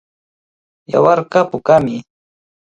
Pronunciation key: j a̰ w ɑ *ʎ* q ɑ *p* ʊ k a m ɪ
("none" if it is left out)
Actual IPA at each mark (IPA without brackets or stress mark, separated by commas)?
ɾ, p